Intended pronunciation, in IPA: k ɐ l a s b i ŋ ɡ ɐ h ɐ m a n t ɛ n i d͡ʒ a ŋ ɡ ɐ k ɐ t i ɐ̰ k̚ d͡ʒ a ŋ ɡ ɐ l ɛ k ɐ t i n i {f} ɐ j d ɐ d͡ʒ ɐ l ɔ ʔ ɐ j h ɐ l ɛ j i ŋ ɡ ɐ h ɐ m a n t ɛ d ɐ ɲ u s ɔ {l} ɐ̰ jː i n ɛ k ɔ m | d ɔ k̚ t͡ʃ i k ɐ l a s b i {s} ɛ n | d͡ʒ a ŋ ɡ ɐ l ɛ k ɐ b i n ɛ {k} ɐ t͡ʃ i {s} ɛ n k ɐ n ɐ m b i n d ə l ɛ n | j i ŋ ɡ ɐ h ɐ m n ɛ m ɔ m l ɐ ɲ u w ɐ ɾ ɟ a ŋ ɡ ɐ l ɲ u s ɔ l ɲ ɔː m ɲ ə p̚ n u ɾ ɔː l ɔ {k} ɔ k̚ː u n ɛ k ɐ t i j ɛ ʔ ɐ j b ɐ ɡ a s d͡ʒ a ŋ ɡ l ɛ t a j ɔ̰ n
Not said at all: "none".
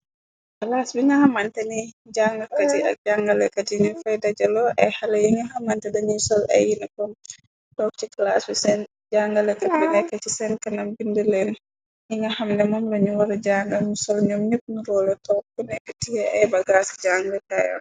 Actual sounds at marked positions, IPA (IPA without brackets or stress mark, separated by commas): f, l, s, k, s, t